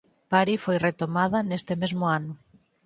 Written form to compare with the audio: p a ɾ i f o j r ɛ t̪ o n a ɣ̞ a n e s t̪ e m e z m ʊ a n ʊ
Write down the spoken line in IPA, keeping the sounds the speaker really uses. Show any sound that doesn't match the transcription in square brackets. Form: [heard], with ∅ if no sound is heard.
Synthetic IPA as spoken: p a ɾ i f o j r [e] t̪ o [m] a [ð̞] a n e s t̪ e m e z m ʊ a n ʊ